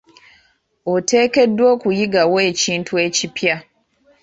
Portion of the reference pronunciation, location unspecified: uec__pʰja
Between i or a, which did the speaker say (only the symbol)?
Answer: i